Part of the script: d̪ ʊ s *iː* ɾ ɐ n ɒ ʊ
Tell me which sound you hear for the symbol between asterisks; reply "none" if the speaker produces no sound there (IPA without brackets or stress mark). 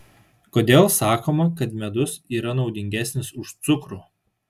iː